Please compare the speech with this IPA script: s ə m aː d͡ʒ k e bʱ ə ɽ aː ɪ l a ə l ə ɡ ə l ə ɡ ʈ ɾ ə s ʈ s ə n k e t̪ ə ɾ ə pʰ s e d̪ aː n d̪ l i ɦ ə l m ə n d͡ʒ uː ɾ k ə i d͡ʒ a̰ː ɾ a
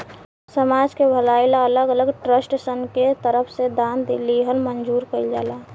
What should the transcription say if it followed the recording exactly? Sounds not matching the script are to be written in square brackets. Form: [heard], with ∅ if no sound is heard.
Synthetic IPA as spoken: s ə m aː d͡ʒ k e bʱ ə [l] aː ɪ l a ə l ə ɡ ə l ə ɡ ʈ ɾ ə s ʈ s ə n k e t̪ ə ɾ ə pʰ s e d̪ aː n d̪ l i ɦ ə l m ə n d͡ʒ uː ɾ k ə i d͡ʒ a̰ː [l] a

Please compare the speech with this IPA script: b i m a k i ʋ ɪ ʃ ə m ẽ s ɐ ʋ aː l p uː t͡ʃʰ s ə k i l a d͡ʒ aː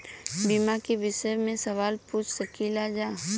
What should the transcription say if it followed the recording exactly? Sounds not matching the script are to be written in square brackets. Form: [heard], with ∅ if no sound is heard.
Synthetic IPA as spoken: b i m a k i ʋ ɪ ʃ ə m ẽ s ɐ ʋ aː l p uː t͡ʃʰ s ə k i l a d͡ʒ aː

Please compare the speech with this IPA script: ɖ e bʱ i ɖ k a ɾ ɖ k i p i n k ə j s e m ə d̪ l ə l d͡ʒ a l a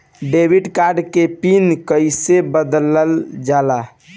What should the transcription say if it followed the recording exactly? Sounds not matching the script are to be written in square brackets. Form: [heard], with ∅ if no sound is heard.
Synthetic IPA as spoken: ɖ e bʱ i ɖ k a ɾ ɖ k [e] p i n k ə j s e [b] ə d̪ l ə l d͡ʒ a l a

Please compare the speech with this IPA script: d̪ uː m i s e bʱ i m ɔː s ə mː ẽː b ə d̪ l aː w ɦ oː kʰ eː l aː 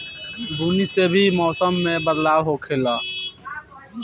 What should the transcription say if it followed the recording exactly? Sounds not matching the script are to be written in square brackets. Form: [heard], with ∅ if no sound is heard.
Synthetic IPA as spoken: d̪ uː [n] i s e bʱ i m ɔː s ə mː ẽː b ə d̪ l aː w ɦ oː kʰ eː l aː

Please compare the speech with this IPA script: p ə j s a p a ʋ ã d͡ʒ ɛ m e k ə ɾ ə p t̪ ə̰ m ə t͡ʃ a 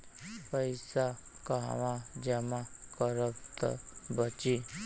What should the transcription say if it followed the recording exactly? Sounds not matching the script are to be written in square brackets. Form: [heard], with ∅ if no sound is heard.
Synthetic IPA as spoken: p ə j s a [k] a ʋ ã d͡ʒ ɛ m [a] k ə ɾ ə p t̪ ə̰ [b] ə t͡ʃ [i]

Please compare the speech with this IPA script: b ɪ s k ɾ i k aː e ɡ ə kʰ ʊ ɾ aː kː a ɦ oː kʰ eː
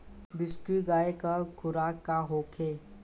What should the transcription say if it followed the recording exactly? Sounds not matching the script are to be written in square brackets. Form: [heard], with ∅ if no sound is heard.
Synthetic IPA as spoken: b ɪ s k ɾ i [ɡ] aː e [k] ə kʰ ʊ ɾ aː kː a ɦ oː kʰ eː

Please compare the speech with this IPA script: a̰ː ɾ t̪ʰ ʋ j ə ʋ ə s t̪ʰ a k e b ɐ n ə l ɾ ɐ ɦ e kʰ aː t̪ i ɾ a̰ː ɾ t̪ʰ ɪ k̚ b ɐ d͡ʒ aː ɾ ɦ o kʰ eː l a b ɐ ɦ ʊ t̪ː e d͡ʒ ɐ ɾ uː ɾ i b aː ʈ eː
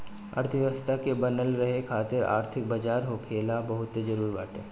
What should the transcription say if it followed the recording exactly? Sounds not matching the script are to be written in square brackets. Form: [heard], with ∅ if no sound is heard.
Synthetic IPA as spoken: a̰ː ɾ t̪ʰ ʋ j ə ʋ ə s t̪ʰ a k e b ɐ n ə l ɾ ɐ ɦ e kʰ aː t̪ [ɪ] ɾ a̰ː ɾ t̪ʰ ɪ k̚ b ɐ d͡ʒ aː ɾ ɦ o kʰ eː l a b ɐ ɦ ʊ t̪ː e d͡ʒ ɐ ɾ uː ɾ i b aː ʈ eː

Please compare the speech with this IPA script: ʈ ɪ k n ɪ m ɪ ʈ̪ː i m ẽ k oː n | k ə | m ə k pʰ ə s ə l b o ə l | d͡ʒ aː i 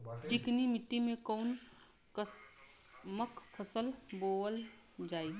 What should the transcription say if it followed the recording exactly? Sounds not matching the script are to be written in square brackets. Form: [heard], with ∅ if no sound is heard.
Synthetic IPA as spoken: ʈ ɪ k n [i] m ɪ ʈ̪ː i m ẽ k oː n | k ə | m ə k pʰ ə s ə l b o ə l | d͡ʒ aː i

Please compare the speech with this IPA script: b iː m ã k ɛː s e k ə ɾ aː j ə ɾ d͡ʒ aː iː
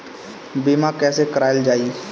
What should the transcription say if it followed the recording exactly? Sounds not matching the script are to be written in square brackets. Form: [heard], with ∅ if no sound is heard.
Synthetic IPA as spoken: b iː m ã k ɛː s e k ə ɾ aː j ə [l] d͡ʒ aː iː

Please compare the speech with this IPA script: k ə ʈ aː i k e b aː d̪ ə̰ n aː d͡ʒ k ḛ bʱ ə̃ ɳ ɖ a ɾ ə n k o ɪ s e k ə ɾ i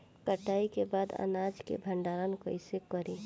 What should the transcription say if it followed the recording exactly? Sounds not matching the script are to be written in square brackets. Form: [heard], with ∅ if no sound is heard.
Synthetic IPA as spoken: k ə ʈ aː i k e b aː d̪ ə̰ n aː d͡ʒ k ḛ bʱ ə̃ ɳ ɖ a ɾ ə n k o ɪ s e k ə ɾ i

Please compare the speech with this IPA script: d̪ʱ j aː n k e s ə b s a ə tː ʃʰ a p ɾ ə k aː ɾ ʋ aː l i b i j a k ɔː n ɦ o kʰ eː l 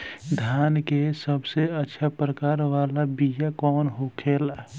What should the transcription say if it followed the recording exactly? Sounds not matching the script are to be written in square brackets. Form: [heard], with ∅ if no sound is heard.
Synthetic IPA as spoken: d̪ʱ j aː n k e s ə b s [e] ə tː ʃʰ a p ɾ ə k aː ɾ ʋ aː l [a] b i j a k ɔː n ɦ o kʰ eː l

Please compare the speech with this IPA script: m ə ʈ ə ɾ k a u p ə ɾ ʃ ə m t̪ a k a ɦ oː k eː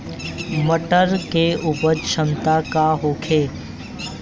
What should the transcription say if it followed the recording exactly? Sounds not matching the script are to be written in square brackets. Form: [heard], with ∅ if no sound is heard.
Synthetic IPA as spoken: m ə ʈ ə ɾ k [e] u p ə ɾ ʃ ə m t̪ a k a ɦ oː [kʰ] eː

